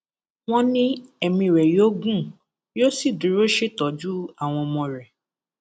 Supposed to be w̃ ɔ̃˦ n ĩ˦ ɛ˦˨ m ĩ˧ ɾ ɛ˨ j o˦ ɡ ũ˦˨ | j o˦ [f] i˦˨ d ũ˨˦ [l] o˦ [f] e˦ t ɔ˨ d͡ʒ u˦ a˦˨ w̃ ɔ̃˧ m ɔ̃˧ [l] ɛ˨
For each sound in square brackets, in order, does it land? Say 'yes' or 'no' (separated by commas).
no, no, no, no